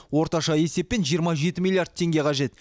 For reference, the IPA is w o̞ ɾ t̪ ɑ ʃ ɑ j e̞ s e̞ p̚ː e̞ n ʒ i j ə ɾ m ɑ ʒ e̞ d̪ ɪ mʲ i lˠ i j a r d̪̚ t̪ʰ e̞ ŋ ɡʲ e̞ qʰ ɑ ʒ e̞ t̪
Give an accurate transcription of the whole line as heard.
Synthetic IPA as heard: w o̞ ɾ t̪ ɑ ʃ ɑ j e̞ s e̞ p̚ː e̞ n ʒ i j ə ɾ m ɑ ʒ e̞ t̪ ɪ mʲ i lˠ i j a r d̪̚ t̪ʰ e̞ ŋ ɡʲ e̞ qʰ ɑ ʒ e̞ t̪